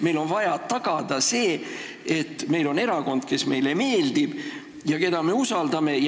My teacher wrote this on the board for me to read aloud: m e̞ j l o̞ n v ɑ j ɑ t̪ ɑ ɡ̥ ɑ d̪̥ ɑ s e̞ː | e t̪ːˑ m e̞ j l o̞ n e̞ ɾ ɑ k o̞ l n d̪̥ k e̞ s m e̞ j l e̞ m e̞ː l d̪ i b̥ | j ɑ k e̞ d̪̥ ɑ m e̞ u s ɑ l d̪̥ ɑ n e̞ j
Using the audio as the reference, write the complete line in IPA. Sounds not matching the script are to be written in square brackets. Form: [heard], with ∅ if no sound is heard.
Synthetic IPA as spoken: m e̞ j l o̞ n v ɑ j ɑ t̪ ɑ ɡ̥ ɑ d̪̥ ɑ s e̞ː | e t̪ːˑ m e̞ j l o̞ n e̞ ɾ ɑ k o̞ [∅] n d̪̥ k e̞ s m e̞ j l e̞ m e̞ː l d̪ i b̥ | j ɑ k e̞ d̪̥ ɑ m e̞ u s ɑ l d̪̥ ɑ [m] e̞ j